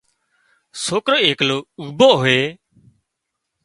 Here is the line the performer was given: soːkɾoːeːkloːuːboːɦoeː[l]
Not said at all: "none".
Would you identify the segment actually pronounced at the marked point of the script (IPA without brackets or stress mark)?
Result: none